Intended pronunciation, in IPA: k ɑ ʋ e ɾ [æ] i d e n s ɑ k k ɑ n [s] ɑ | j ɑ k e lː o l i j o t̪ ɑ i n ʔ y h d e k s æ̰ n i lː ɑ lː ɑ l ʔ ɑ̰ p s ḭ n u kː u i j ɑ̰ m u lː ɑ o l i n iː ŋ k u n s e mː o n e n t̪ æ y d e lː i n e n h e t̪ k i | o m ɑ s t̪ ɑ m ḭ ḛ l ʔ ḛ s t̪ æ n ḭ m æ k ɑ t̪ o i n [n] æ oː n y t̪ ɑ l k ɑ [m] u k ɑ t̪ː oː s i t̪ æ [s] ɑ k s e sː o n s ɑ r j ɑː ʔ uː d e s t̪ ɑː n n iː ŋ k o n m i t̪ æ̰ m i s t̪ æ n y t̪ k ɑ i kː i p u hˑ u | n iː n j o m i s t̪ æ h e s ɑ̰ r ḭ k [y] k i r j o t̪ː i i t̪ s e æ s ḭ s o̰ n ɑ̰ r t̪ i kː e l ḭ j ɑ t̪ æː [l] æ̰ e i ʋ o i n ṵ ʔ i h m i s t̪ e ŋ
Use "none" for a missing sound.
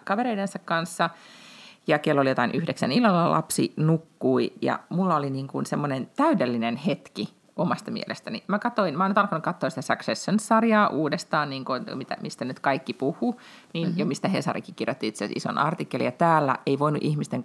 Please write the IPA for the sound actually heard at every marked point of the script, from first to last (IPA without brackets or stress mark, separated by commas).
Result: e, sː, m, n, s, i, lː